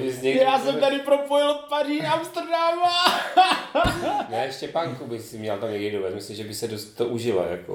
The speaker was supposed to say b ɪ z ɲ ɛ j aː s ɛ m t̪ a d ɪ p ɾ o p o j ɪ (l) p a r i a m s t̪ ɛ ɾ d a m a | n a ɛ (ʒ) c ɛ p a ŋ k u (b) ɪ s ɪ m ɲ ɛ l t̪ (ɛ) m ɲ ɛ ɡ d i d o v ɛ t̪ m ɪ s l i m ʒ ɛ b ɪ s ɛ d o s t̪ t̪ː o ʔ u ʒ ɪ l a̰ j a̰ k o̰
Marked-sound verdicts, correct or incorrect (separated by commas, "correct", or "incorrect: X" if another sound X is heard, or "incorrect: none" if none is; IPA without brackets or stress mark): correct, incorrect: ʃ, correct, incorrect: a